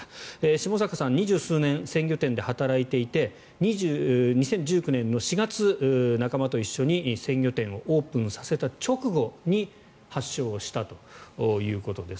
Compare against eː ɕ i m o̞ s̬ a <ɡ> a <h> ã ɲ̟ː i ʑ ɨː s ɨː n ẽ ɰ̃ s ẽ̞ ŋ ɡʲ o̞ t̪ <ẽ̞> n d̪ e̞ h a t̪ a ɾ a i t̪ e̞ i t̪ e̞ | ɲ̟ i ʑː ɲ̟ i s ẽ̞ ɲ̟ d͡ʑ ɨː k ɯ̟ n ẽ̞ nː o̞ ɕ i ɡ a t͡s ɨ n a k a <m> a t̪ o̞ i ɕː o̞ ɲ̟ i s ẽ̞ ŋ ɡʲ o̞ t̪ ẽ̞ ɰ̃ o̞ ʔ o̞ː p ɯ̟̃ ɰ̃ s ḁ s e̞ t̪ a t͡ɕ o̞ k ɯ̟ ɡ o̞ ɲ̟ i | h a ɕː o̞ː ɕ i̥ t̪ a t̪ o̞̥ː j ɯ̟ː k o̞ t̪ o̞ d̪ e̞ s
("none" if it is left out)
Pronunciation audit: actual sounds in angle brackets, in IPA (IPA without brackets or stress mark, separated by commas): k, s, ẽ̞, m